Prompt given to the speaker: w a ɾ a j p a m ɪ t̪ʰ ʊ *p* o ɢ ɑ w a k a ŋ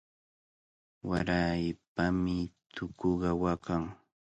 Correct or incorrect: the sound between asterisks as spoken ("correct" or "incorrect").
incorrect